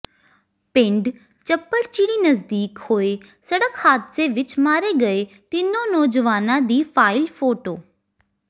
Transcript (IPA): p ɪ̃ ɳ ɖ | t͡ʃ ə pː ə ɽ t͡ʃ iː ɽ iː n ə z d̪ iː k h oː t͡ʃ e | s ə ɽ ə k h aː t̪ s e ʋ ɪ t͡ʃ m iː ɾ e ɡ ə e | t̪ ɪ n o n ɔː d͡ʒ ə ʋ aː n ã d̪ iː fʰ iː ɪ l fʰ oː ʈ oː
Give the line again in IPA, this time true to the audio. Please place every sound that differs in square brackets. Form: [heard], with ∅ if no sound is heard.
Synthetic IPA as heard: p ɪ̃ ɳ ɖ | t͡ʃ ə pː ə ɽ t͡ʃ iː ɽ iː n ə z d̪ iː k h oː [∅] e | s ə ɽ ə k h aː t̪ s e ʋ ɪ t͡ʃ m [aː] ɾ e ɡ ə e | t̪ ɪ n o n ɔː d͡ʒ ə ʋ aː n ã d̪ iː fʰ [aː] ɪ l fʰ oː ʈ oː